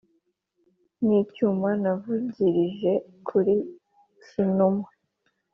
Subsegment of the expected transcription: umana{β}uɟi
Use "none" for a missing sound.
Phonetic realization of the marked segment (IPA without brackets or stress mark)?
v